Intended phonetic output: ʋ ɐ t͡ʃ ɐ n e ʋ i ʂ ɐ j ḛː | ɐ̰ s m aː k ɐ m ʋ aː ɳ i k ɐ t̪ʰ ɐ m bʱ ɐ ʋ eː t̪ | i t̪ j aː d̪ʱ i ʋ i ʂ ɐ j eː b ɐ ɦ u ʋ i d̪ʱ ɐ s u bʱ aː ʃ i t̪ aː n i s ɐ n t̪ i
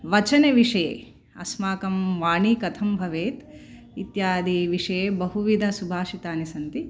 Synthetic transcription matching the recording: ʋ ɐ t͡ʃ ɐ n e ʋ i ʂ ɐ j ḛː | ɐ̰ s m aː k ɐ m ʋ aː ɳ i k ɐ t̪ʰ ɐ m bʱ ɐ ʋ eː t̪ | i t̪ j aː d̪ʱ i ʋ i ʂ ɐ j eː b ɐ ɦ u ʋ i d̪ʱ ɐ s u bʱ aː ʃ i t̪ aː n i s ɐ n t̪ i

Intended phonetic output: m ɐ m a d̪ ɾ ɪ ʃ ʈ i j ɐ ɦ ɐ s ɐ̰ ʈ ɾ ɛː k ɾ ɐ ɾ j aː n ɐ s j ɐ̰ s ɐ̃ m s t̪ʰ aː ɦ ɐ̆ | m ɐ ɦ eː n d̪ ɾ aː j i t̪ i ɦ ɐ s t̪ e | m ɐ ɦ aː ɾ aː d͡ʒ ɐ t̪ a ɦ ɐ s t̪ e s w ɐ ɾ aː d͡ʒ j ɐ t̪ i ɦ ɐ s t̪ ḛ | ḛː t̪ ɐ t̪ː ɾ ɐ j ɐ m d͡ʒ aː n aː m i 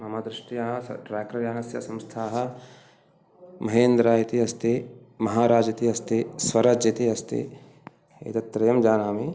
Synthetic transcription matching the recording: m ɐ m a d̪ ɾ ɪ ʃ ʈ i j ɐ ɦ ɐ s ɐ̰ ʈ ɾ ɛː k ɾ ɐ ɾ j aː n ɐ s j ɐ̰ s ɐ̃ m s t̪ʰ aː ɦ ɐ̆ | m ɐ ɦ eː n d̪ ɾ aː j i t̪ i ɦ ɐ s t̪ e | m ɐ ɦ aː ɾ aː d͡ʒ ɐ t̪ i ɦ ɐ s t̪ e s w ɐ ɾ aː d͡ʒ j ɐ t̪ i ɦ ɐ s t̪ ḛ | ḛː t̪ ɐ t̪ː ɾ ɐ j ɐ m d͡ʒ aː n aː m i

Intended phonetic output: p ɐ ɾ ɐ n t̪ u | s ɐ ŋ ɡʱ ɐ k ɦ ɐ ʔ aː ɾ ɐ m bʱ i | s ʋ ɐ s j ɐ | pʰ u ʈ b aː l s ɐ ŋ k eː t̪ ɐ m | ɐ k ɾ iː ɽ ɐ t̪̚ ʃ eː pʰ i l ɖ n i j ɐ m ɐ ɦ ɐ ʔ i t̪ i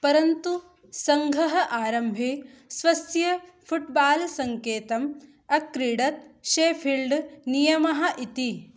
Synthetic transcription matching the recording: p ɐ ɾ ɐ n t̪ u | s ɐ ŋ ɡʱ ɐ ɦ ɐ ʔ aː ɾ ɐ m bʱ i | s ʋ ɐ s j ɐ | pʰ u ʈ b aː l s ɐ ŋ k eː t̪ ɐ m | ɐ k ɾ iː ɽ ɐ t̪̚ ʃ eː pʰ i l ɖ n i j ɐ m ɐ ɦ ɐ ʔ i t̪ i

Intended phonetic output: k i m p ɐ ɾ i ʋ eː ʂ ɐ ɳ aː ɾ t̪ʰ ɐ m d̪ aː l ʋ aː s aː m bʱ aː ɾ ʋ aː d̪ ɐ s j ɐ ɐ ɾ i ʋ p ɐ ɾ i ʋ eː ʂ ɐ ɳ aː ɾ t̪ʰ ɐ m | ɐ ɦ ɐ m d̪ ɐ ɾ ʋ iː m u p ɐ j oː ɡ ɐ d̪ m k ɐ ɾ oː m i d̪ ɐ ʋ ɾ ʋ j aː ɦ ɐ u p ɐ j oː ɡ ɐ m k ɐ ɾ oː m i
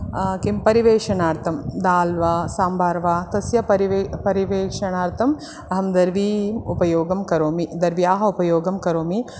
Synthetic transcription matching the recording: k i m p ɐ ɾ i ʋ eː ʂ ɐ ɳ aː ɾ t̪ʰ ɐ m d̪ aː l ʋ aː s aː m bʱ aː ɾ ʋ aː t̪ ɐ s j ɐ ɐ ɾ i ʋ p ɐ ɾ i ʋ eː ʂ ɐ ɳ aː ɾ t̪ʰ ɐ m | ɐ ɦ ɐ m d̪ ɐ ɾ ʋ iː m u p ɐ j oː ɡ ɐ m k ɐ ɾ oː m i d̪ ɐ ɾ ʋ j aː ɦ ɐ u p ɐ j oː ɡ ɐ m k ɐ ɾ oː m i

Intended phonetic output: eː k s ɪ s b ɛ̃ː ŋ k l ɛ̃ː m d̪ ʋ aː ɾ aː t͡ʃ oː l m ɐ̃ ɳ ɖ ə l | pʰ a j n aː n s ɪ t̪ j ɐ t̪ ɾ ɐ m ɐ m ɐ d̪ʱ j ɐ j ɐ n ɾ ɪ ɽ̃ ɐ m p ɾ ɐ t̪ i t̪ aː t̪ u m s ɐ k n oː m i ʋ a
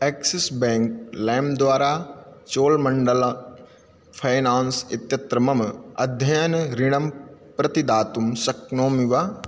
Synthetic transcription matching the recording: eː k s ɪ s b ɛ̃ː ŋ k l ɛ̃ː m d̪ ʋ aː ɾ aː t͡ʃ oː l m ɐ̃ ɳ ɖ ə l | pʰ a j n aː n s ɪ t̪ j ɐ t̪ ɾ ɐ m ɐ m ɐ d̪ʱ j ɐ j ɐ n ɾ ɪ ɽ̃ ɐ m p ɾ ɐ t̪ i d̪ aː t̪ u m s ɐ k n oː m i ʋ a

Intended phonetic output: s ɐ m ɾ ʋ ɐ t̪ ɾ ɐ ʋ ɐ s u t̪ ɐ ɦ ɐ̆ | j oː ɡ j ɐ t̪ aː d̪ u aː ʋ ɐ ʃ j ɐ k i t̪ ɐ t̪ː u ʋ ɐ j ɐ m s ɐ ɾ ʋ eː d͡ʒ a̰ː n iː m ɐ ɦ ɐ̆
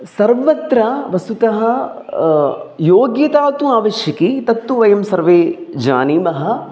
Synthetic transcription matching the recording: s ɐ ɾ ʋ ɐ t̪ ɾ ɐ ʋ ɐ s u t̪ ɐ ɦ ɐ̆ | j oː ɡ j ɐ t̪ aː t̪ u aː ʋ ɐ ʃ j ɐ k i t̪ ɐ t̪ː u ʋ ɐ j ɐ m s ɐ ɾ ʋ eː d͡ʒ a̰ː n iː m ɐ ɦ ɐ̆

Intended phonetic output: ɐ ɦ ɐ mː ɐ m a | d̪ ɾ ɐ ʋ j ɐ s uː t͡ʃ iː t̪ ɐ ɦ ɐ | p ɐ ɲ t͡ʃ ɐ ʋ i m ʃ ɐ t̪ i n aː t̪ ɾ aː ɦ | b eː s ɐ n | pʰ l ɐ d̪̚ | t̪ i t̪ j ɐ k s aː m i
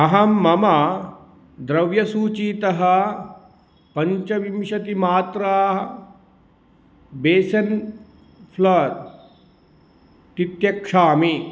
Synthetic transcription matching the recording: ɐ ɦ ɐ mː ɐ m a | d̪ ɾ ɐ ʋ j ɐ s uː t͡ʃ iː t̪ ɐ ɦ ɐ | p ɐ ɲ t͡ʃ ɐ ʋ i m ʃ ɐ t̪ i m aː t̪ ɾ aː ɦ | b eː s ɐ n | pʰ l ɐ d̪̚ | t̪ i t̪ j ɐ k ʂ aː m i

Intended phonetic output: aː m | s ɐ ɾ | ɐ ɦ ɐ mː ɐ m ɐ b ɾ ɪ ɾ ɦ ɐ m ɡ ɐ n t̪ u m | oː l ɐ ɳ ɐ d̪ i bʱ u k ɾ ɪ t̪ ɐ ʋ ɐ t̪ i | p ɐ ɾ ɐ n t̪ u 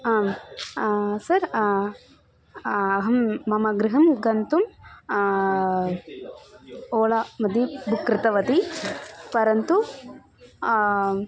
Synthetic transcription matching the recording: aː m | s ɐ ɾ | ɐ ɦ ɐ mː ɐ m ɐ ɡ ɾ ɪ ɦ ɐ m ɡ ɐ n t̪ u m | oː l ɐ m ɐ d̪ i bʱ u k ɾ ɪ t̪ ɐ ʋ ɐ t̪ i | p ɐ ɾ ɐ n t̪ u

